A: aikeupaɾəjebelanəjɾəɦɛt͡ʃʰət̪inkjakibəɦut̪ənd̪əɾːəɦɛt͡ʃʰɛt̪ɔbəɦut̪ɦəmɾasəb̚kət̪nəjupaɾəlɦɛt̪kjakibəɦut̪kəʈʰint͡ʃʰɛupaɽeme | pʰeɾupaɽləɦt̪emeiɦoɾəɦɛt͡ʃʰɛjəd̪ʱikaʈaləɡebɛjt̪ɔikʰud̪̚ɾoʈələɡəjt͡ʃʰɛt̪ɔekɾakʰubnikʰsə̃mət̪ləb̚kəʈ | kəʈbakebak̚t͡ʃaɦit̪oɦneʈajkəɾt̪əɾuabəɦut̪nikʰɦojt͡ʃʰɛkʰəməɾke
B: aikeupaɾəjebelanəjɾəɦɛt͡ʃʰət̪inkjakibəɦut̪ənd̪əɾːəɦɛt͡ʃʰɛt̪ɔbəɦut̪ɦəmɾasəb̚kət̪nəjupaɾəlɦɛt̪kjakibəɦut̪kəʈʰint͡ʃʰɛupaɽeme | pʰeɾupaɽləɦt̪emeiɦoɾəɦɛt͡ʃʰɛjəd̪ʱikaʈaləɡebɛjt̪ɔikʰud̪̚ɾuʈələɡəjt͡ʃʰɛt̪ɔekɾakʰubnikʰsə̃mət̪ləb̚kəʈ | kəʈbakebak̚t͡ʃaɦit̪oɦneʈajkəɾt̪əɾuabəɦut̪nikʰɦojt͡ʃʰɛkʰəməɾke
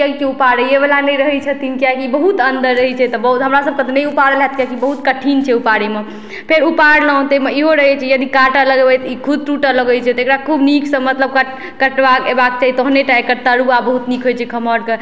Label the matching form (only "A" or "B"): B